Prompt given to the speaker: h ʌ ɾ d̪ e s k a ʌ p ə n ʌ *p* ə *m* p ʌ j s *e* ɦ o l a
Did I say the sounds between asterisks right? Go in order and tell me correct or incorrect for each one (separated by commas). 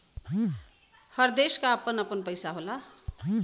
correct, incorrect, incorrect